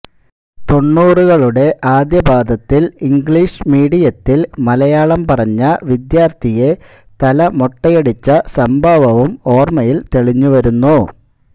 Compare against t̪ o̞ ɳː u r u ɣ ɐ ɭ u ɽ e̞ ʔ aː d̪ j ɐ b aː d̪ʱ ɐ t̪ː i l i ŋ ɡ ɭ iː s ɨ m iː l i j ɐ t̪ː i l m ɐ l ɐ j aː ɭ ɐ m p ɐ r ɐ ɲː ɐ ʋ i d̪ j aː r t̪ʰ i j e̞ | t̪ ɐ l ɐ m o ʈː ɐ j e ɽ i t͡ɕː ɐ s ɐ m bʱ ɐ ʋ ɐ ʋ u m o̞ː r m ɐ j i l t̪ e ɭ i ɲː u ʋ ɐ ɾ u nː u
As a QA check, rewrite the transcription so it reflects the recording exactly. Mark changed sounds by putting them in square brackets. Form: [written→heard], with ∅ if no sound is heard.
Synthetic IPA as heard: t̪ o̞ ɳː [u→uː] r u ɣ ɐ ɭ u ɽ e̞ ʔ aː d̪ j ɐ b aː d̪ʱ ɐ t̪ː i l i ŋ ɡ ɭ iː [s→ʂ] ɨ m iː [l→ɽ] i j ɐ t̪ː i l m ɐ l ɐ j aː ɭ ɐ m p ɐ r ɐ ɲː ɐ ʋ i d̪ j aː r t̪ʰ i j e̞ | t̪ ɐ l ɐ m o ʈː ɐ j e ɽ i t͡ɕː ɐ s ɐ m bʱ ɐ ʋ ɐ ʋ u m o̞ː r m ɐ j i l t̪ e ɭ i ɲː u ʋ ɐ ɾ u nː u